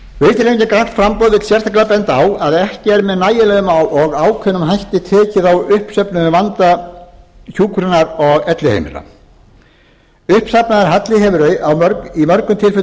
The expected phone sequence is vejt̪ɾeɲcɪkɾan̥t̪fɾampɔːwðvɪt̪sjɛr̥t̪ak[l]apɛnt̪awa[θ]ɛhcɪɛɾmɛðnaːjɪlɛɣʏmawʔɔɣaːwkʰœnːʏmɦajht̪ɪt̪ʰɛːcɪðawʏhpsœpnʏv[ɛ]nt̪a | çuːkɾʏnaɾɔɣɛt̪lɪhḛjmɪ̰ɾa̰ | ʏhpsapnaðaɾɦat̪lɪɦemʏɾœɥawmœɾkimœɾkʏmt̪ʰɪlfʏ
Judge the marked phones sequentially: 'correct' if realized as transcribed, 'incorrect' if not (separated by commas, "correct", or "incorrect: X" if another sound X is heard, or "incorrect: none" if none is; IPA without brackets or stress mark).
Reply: correct, incorrect: ð, incorrect: a